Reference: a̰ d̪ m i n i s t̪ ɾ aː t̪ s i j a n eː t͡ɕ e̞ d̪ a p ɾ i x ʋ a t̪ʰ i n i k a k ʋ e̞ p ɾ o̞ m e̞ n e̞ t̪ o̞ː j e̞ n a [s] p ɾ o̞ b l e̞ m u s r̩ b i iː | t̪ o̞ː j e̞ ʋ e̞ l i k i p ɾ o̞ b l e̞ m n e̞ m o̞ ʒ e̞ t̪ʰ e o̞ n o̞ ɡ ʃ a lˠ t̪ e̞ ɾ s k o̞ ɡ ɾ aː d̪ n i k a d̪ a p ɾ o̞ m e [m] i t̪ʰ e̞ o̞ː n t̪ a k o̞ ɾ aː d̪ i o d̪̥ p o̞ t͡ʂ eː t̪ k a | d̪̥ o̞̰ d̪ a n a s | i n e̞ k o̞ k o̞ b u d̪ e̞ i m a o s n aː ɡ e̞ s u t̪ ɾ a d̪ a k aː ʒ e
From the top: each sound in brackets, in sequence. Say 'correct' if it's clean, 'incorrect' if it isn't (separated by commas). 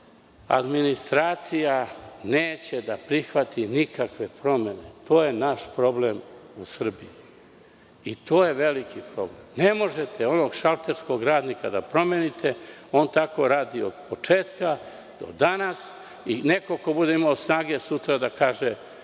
incorrect, incorrect